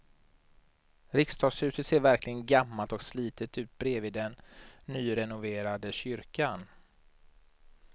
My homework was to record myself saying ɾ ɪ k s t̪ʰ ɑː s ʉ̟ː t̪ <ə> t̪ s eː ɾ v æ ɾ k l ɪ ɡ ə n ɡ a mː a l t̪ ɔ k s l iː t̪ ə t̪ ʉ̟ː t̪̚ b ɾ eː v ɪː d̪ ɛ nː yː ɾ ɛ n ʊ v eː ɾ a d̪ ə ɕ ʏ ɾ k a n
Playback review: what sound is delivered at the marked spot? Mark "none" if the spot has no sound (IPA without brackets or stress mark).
ə